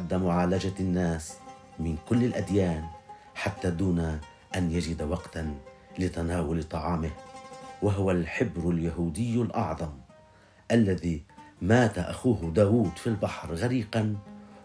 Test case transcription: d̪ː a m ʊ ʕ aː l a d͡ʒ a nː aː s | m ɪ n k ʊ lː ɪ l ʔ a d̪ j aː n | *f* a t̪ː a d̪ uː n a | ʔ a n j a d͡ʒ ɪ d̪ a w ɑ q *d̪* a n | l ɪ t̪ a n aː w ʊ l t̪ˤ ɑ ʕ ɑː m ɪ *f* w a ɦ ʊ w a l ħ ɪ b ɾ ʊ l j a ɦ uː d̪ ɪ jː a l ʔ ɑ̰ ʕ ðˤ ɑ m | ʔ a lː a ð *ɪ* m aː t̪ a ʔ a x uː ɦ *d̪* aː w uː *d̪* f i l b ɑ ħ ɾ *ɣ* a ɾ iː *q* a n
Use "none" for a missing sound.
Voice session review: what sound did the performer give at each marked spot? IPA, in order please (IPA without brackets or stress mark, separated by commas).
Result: ħ, t̪, h, i, d̪, d̪, ɣ, q